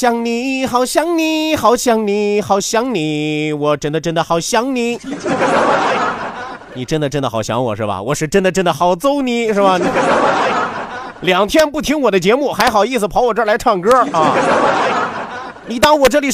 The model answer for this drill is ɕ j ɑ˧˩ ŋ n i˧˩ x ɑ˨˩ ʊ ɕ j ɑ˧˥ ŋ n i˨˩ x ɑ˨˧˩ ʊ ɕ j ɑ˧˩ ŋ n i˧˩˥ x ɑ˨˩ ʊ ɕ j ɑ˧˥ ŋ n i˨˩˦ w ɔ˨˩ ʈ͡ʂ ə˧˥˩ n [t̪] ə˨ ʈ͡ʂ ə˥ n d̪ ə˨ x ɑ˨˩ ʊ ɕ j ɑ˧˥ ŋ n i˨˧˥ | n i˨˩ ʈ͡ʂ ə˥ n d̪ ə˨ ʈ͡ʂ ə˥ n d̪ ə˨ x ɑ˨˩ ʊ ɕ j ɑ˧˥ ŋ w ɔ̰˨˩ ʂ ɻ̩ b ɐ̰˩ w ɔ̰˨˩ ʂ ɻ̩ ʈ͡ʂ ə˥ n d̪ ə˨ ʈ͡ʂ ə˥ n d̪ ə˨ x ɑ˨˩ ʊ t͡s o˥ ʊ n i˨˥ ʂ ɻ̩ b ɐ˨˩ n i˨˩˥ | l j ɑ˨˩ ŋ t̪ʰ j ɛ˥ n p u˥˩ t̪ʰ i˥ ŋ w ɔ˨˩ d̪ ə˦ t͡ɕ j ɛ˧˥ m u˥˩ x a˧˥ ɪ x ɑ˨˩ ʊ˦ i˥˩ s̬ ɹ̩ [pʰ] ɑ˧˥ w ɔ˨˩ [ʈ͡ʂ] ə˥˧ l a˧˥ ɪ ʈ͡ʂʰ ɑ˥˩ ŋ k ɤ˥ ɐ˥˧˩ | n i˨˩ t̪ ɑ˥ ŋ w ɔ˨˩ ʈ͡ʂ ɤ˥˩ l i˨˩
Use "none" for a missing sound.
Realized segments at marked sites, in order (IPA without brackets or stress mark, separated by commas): d̪, pʰ, ʈ͡ʂ